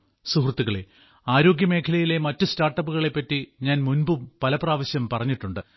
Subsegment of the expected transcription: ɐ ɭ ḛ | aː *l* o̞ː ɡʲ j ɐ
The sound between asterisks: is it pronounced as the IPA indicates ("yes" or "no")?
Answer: no